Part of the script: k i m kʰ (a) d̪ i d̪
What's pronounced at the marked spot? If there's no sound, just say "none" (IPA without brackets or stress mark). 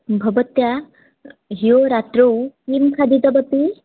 a